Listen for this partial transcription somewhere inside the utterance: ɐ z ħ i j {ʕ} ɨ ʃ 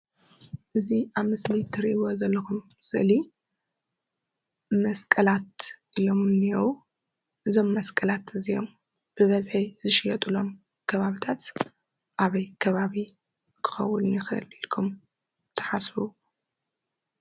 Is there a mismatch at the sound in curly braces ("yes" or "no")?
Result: yes